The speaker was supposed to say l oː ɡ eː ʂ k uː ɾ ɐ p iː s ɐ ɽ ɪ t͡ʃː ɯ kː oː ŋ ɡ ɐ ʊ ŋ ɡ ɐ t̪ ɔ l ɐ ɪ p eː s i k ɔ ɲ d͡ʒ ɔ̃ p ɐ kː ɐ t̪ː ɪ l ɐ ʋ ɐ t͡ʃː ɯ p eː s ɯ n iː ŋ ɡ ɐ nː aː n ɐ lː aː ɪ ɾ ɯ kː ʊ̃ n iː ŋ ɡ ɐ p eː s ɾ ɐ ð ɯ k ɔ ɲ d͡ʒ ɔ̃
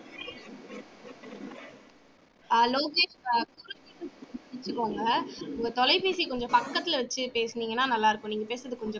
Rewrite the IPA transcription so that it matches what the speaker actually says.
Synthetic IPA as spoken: l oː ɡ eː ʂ k uː ɾ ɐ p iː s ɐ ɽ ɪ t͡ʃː ɯ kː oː ŋ ɡ ɐ ʊ ŋ ɡ ɐ t̪ ɔ l ɐ ɪ p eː s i k ɔ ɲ d͡ʒ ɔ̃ p ɐ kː ɐ t̪ː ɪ l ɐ ʋ ɐ t͡ʃː ɯ p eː s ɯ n iː ŋ ɡ ɐ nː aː n ɐ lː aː ɪ ɾ ɯ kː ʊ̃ n iː ŋ ɡ ɐ p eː s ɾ ɐ ð ɯ k ɔ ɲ d͡ʒ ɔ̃